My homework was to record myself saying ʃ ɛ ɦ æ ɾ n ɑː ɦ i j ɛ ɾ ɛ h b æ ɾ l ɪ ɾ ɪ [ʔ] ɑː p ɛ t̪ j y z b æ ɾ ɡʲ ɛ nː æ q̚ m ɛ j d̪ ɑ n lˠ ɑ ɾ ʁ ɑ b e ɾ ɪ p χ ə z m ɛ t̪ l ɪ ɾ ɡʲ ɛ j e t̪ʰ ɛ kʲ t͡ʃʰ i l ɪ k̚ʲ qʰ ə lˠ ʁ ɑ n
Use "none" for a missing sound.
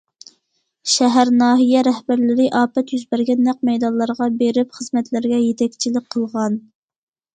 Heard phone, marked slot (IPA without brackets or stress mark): ʔ